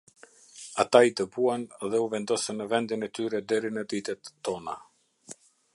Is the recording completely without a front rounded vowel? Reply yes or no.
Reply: no